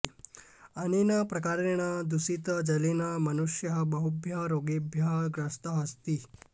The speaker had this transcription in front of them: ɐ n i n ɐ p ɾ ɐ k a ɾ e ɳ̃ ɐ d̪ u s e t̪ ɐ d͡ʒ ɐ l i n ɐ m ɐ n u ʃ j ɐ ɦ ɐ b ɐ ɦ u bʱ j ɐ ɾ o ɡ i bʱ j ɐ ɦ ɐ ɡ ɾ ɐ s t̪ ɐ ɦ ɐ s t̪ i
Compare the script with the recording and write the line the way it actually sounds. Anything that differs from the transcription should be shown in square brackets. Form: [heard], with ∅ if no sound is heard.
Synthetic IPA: ɐ n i n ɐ p ɾ ɐ k a ɾ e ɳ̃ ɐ d̪ u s [i] t̪ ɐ d͡ʒ ɐ l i n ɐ m ɐ n u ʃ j ɐ ɦ ɐ b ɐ ɦ u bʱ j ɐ ɾ o ɡ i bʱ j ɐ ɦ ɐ ɡ ɾ ɐ s t̪ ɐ ɦ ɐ s t̪ i